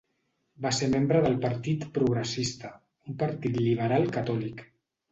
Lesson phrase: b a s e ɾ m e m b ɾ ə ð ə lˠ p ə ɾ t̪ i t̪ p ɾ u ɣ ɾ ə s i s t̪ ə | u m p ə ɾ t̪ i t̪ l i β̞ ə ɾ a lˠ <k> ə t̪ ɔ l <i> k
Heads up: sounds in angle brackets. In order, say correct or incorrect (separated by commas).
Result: correct, correct